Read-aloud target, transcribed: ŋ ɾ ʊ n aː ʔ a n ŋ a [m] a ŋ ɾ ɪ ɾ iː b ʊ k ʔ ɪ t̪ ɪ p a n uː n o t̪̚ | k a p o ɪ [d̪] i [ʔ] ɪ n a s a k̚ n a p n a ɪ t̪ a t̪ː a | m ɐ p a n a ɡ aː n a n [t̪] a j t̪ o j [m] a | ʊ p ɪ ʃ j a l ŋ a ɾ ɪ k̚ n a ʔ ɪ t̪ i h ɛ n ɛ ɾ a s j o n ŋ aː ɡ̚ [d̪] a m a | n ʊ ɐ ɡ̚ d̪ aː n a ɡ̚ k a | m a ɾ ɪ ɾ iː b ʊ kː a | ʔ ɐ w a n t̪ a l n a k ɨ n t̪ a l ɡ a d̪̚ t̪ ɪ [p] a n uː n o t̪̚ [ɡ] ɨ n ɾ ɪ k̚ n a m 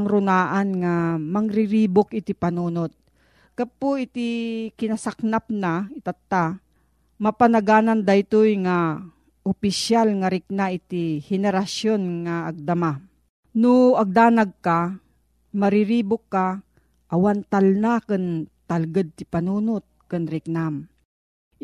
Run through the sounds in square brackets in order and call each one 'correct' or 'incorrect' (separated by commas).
correct, incorrect, incorrect, incorrect, incorrect, correct, correct, incorrect